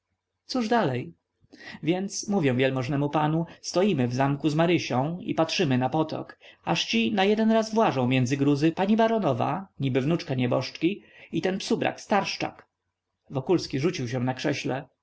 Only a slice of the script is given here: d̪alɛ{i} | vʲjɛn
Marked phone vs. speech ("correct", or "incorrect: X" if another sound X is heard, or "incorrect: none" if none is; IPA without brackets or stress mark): incorrect: j